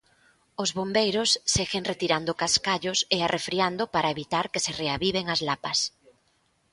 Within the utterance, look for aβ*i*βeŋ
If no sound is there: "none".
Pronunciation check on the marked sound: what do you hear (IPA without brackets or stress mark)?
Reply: i